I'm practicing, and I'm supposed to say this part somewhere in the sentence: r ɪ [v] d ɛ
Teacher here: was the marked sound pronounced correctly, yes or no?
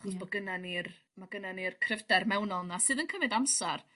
yes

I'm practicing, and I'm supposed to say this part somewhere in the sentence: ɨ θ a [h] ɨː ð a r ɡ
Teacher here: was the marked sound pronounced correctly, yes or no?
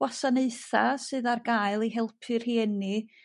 no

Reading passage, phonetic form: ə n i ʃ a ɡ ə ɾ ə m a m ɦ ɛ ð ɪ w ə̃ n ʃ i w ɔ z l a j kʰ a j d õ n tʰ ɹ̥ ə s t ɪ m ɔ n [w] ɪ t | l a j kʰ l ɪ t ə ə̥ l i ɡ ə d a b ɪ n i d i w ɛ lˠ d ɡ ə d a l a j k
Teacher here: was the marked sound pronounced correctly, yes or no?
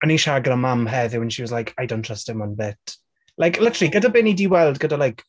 no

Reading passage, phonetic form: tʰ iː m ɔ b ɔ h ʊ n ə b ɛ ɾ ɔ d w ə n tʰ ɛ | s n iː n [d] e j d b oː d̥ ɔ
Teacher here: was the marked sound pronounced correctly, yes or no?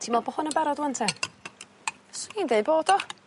yes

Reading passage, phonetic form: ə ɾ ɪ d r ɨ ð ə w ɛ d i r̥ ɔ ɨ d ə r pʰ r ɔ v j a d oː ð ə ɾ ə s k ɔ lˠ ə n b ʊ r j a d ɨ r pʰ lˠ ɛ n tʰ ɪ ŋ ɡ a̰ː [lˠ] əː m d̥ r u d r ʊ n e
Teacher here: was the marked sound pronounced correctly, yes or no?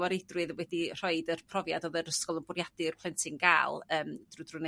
yes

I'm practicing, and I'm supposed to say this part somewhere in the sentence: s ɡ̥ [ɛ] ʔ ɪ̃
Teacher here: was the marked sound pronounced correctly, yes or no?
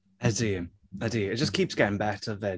yes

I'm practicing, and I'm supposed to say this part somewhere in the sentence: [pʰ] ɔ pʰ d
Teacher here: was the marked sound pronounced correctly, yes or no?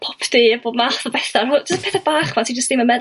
yes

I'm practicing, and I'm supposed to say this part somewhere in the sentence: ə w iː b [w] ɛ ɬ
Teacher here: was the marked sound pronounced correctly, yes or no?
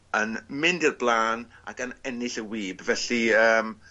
no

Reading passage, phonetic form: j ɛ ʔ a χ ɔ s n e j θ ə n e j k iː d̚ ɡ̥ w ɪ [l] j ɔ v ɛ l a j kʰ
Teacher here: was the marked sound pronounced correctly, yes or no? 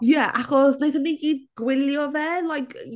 yes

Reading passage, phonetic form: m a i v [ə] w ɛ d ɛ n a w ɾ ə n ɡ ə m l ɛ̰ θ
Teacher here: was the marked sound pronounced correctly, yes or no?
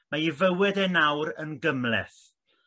yes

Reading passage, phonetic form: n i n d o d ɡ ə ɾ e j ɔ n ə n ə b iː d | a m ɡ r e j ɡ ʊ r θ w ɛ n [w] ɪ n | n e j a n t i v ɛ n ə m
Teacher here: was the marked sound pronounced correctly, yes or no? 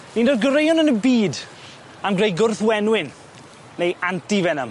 yes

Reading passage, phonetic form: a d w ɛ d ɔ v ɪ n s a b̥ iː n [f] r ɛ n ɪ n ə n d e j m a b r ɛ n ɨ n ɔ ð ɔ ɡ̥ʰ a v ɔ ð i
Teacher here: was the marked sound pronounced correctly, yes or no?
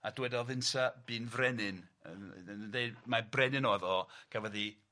no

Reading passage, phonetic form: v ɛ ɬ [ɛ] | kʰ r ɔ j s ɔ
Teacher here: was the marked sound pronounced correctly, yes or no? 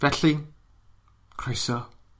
no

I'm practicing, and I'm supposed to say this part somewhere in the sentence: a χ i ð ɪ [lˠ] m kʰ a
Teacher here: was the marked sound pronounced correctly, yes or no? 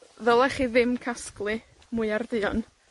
no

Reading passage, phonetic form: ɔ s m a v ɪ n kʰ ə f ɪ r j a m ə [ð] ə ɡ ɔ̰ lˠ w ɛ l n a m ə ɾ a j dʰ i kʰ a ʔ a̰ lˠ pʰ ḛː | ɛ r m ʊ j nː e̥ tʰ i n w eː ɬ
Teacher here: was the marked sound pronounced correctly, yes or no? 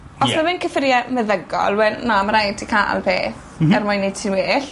yes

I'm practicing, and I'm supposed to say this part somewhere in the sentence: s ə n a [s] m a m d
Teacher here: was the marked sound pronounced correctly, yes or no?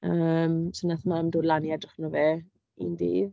no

